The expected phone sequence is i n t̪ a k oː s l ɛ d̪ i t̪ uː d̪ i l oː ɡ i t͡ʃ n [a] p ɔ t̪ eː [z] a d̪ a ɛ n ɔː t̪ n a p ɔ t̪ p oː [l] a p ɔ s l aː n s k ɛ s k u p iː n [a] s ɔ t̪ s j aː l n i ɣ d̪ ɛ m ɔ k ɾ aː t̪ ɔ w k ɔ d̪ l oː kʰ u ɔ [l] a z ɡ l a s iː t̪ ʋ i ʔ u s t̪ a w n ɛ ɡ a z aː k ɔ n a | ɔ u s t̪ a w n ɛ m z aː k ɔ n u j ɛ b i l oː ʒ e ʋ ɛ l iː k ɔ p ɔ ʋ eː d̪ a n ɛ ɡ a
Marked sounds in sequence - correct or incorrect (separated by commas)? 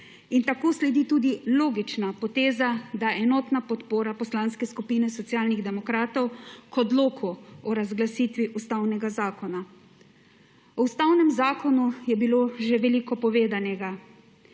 correct, correct, incorrect, incorrect, incorrect